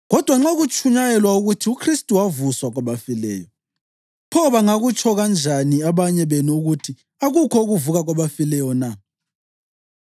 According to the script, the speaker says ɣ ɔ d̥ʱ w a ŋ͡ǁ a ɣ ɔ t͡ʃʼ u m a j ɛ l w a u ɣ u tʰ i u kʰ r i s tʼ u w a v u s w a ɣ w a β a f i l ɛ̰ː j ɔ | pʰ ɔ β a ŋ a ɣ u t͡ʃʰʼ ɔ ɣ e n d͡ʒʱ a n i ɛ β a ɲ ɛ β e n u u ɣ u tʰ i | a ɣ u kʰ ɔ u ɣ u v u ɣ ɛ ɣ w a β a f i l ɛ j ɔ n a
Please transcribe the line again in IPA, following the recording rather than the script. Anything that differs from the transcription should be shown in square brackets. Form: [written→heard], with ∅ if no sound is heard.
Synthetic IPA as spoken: ɣ ɔ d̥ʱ w a ŋ͡ǁ a ɣ [ɔ→u] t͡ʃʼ u [m→ɲ] a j ɛ l w a u ɣ u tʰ i u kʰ r i s tʼ u w a v u s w a ɣ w a β a f i l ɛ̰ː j ɔ | pʰ ɔ β a ŋ a ɣ u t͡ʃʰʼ ɔ ɣ [e→a] n d͡ʒʱ a n i [ɛ→a] β a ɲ ɛ β e n u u ɣ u tʰ i | a ɣ u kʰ ɔ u ɣ u v u ɣ [ɛ→a] ɣ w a β a f i l ɛ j ɔ n a